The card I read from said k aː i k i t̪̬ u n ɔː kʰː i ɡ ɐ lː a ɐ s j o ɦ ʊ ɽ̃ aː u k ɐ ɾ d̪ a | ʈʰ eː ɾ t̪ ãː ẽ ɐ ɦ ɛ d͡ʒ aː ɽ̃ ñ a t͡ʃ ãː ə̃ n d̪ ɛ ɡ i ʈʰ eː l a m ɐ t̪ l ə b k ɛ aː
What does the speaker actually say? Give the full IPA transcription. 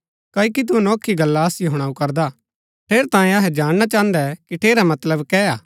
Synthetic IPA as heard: k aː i k i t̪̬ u n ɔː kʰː i ɡ ɐ lː a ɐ s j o ɦ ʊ ɽ̃ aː u k ɐ ɾ d̪ a | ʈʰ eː ɾ t̪ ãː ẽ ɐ ɦ ɛ d͡ʒ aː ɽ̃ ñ a t͡ʃ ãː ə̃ n d̪ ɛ k i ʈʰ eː ɾ a m ɐ t̪ l ə b k ɛ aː

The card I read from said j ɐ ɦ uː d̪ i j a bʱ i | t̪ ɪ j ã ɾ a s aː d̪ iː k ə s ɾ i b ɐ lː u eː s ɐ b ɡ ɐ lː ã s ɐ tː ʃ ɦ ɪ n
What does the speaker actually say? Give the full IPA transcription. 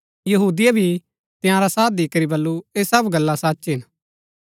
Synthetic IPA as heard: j ɐ ɦ uː d̪ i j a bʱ i | t̪ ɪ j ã ɾ a s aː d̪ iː k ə ɾ i b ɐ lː u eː s ɐ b ɡ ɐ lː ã s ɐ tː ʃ ɦ ɪ n

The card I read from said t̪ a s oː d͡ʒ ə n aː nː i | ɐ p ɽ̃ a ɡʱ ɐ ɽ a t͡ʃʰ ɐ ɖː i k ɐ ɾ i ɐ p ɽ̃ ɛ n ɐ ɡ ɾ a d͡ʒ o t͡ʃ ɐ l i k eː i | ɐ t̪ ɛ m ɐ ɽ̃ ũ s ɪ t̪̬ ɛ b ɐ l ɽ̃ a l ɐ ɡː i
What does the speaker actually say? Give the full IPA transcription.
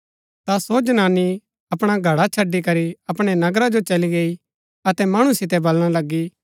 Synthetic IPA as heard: t̪ a s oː d͡ʒ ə n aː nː i | ɐ p ɽ̃ a ɡʱ ɐ ɽ a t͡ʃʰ ɐ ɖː i k ɐ ɾ i ɐ p ɽ̃ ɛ n ɐ ɡ ɾ a d͡ʒ o t͡ʃ ɐ l i ɡ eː i | ɐ t̪ ɛ m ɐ ɽ̃ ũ s ɪ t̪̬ ɛ b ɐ l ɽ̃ a l ɐ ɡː i

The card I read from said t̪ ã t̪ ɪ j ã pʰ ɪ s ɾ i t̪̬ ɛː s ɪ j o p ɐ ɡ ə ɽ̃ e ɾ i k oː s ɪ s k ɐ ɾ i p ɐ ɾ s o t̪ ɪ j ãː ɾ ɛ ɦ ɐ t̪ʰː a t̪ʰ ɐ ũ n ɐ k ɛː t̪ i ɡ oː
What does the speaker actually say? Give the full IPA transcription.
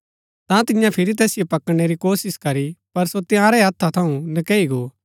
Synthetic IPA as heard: t̪ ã t̪ ɪ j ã pʰ ɪ ɾ i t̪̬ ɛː s ɪ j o p ɐ k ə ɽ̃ e ɾ i k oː s ɪ s k ɐ ɾ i p ɐ ɾ s o t̪ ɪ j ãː ɾ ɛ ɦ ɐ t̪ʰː a t̪ʰ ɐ ũ n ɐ k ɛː i ɡ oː

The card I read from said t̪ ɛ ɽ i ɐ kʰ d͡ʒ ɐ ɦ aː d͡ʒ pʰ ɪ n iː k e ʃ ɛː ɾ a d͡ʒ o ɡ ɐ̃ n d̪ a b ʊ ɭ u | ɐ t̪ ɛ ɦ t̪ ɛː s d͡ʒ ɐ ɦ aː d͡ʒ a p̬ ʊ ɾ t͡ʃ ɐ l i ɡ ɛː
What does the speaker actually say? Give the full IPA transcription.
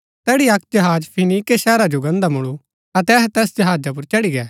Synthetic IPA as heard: t̪ ɛː ɽ i ɐ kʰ d͡ʒ ɐ ɦ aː d͡ʒ pʰ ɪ n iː k e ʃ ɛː ɾ a d͡ʒ o ɡ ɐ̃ n d̪ a m ʊ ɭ u | ɐ t̪ ɛ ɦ t̪ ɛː s d͡ʒ ɐ ɦ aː d͡ʒ a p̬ ʊ ɾ t͡ʃ ɐ ɽ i ɡ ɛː

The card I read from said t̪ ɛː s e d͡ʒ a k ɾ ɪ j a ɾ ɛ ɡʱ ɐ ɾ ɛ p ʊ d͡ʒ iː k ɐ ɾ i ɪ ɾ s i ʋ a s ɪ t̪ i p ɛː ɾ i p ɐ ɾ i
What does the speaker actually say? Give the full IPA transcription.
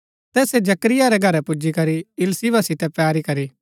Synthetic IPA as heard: t̪ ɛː s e d͡ʒ ɐ k ɾ ɪ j a ɾ ɛ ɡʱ ɐ ɾ ɛ p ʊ d͡ʒ i k ɐ ɾ i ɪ l s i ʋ a s ɪ t̪ ɛ p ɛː ɾ i k ɐ ɾ i

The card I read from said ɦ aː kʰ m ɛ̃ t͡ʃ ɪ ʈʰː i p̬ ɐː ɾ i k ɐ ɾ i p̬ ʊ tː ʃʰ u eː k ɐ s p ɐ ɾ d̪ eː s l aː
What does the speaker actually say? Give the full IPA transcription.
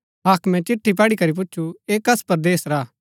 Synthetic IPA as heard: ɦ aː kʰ m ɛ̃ t͡ʃ ɪ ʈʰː i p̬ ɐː ɽ i k ɐ ɾ i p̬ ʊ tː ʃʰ u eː k ɐ s p ɐ ɾ d̪ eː s ɾ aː

